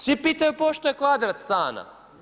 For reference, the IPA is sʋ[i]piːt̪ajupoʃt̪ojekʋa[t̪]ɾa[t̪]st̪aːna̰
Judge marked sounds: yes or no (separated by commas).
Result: yes, no, yes